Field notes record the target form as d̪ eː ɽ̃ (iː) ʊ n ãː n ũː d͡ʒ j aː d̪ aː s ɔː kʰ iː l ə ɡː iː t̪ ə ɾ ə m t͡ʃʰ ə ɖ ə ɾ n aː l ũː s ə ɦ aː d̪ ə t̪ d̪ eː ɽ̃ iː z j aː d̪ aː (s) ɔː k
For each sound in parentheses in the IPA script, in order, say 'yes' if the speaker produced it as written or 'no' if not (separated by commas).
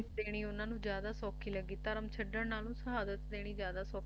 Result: yes, yes